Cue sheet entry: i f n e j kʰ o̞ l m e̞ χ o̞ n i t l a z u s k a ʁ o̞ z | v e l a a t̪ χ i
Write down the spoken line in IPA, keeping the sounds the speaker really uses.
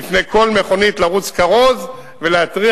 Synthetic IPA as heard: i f n e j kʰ o̞ l m e̞ χ o̞ n i t l a ʁ u t͡s k a ʁ o̞ z | v e l e a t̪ ʁ i